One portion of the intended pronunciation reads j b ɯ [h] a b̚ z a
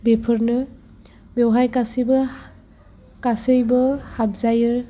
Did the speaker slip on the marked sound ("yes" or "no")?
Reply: no